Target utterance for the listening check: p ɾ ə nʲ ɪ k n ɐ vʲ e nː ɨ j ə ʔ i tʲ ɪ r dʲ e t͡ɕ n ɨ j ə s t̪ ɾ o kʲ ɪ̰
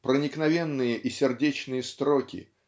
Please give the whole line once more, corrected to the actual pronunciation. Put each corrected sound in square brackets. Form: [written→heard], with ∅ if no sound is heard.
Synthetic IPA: p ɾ ə nʲ ɪ k n ɐ vʲ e nː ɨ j ə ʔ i [tʲ→sʲ] ɪ r dʲ e t͡ɕ n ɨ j ə s t̪ ɾ o kʲ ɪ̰